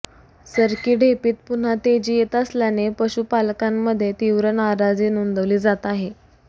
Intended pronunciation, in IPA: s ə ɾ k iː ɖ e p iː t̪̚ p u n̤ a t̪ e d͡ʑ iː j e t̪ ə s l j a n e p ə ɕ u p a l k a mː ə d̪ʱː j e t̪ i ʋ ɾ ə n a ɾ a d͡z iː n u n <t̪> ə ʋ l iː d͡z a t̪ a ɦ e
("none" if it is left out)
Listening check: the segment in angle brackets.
d̪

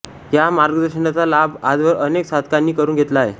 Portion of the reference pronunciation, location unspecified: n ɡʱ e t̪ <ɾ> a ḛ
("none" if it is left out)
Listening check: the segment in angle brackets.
l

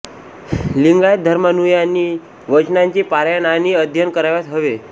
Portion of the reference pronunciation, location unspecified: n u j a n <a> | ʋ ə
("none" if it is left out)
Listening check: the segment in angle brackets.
i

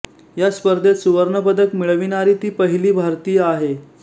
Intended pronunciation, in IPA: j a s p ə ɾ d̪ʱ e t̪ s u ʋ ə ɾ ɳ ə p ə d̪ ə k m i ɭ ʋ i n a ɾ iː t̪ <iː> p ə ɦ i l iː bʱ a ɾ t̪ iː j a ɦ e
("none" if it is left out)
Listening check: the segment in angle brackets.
iː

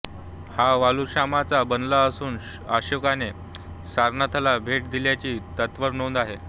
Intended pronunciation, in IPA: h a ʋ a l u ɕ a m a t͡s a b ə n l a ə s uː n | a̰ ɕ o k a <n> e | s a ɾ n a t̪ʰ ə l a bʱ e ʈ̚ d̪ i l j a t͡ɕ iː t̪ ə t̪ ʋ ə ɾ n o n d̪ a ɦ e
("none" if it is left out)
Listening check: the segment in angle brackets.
n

